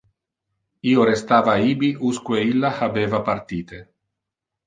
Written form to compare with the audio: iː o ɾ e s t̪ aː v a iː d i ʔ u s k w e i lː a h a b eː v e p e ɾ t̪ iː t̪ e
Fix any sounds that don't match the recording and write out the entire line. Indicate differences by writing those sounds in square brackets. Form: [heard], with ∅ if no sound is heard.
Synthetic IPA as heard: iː o ɾ e s t̪ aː v a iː [b] i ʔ u s k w e i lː a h a b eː v [a] p [a] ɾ t̪ iː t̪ e